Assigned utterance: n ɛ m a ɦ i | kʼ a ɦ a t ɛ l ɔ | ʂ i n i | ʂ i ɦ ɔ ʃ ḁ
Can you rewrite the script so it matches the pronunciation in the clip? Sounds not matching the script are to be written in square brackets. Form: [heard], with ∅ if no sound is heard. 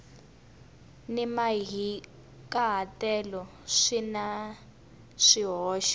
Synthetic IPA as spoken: n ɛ m a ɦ i | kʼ a ɦ a t ɛ l ɔ | ʂ i n [a] | ʂ i ɦ [ɔː] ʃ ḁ